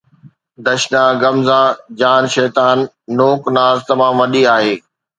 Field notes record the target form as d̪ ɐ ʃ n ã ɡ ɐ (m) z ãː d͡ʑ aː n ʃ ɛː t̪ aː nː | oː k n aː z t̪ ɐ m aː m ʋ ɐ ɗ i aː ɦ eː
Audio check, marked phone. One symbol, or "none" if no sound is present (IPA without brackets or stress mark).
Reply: m